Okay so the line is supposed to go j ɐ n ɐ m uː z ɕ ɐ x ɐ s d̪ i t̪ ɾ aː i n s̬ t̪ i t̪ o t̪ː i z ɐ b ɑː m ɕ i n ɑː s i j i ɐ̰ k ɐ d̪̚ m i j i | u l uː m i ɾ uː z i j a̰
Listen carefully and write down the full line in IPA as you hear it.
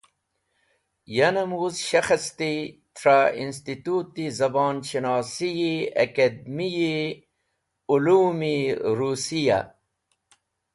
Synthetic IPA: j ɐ n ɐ m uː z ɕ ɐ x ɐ s t̪ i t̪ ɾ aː i n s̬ t̪ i t̪ u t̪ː i z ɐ b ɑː n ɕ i n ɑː s i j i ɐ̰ k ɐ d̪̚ m i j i | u l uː m i ɾ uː s i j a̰

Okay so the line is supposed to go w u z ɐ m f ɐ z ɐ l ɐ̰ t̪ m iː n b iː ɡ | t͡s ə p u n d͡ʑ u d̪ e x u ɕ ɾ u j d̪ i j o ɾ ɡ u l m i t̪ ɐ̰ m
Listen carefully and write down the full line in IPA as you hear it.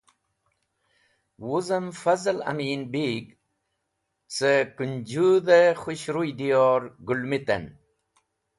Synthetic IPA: w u z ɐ m f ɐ z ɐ l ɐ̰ m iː n b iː ɡ | t͡s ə k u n d͡ʑ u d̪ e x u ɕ ɾ u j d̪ i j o ɾ ɡ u l m i t̪ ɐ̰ n

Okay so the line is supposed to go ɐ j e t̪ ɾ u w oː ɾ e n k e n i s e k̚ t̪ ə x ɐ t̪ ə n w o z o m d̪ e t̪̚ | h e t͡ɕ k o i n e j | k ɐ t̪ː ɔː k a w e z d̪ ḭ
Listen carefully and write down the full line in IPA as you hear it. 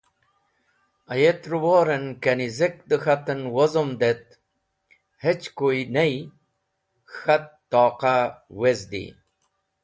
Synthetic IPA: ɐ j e t̪ ɾ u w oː ɾ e n k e n i z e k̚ d̪ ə x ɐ t̪ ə n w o z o m d̪ e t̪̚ | h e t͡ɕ k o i n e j | x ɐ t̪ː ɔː q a w e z d̪ ḭ

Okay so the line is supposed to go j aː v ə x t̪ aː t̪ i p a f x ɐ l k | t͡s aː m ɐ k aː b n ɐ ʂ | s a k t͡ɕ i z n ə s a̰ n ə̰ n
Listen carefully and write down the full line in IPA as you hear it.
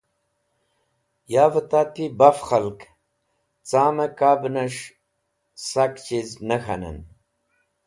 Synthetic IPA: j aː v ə t̪ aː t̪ i b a f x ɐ l k | t͡s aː m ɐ k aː b n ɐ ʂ | s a k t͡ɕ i z n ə x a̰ n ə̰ n

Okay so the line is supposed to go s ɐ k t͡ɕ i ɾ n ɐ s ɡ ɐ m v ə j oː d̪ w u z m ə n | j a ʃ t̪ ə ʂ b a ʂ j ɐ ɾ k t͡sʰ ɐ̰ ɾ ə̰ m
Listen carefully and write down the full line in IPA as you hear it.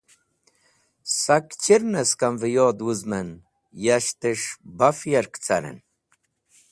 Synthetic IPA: s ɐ k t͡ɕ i ɾ n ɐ s k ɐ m v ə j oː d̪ w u z m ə n | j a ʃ t̪ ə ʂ b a f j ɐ ɾ k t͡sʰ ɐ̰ ɾ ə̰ n

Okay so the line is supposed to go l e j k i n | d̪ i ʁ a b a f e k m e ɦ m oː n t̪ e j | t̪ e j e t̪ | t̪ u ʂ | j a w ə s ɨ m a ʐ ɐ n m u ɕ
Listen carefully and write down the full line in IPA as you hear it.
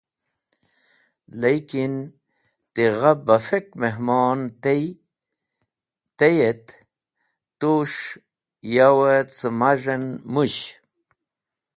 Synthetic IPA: l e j k i n | t̪ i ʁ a b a f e k m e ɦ m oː n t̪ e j | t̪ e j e t̪ | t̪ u ʂ | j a w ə t͡s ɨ m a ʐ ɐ n m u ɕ

